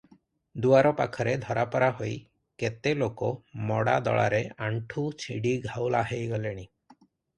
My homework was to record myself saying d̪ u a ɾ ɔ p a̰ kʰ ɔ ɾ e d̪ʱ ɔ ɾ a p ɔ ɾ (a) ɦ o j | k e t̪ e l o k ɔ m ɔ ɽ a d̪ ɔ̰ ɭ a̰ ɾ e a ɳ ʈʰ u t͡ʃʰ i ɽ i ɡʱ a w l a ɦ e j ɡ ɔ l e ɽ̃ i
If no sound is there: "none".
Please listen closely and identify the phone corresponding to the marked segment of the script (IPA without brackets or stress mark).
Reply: a